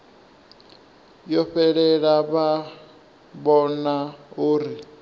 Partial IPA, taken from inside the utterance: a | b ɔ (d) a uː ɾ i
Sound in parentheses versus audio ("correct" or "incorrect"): incorrect